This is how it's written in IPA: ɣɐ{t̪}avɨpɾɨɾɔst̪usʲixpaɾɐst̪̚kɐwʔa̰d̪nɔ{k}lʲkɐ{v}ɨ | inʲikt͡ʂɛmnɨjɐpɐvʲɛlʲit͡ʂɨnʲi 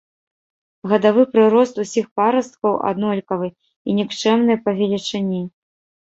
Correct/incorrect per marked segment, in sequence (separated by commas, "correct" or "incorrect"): incorrect, incorrect, correct